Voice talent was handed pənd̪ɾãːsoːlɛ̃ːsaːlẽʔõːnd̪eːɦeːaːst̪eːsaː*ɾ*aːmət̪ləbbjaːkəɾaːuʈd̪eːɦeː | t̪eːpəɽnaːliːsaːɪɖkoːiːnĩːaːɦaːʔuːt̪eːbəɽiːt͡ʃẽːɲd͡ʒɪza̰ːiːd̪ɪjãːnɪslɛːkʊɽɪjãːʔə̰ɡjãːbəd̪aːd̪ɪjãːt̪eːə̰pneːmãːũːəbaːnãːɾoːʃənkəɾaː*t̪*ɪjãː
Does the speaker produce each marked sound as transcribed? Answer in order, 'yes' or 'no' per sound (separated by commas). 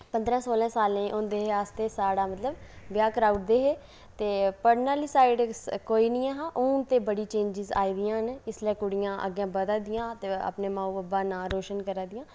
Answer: no, no